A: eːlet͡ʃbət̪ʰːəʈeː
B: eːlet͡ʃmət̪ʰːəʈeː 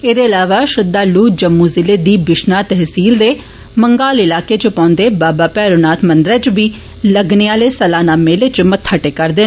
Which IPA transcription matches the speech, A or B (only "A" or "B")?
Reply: B